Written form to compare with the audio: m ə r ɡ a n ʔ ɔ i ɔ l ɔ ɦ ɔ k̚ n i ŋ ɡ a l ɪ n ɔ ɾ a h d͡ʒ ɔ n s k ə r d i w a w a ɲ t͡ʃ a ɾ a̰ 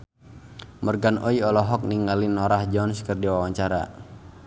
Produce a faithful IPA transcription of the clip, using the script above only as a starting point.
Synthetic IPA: m ə r ɡ a n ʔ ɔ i ɔ l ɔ ɦ ɔ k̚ n i ŋ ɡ a l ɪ n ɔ ɾ a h d͡ʒ ɔ n s k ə r d i w a w a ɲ t͡ʃ a ɾ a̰